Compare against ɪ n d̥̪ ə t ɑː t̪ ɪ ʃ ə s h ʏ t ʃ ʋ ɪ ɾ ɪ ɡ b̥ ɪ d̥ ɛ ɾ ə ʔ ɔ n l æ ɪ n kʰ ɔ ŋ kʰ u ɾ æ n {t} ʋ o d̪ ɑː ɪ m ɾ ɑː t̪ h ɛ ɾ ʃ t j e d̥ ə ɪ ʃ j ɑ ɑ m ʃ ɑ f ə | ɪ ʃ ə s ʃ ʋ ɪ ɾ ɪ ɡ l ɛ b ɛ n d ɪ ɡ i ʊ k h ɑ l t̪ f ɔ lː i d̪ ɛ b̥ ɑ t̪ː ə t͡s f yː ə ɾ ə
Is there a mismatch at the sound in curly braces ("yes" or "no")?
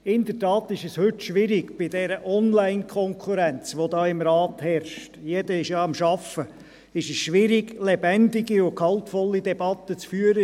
yes